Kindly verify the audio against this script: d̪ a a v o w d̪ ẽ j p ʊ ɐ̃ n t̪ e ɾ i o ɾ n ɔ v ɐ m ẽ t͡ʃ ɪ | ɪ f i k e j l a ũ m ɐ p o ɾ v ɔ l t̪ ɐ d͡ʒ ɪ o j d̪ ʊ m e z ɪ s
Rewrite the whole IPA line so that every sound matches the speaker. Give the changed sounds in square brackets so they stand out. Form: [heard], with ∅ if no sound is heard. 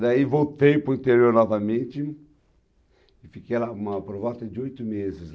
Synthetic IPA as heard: d̪ a [i] v o w [t̪] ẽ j p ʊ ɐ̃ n t̪ e ɾ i o ɾ n ɔ v ɐ m ẽ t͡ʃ ɪ | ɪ f i k e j l a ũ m ɐ p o ɾ v ɔ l t̪ ɐ d͡ʒ ɪ o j [t̪] ʊ m e z ɪ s